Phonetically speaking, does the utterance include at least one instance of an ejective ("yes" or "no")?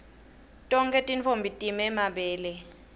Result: yes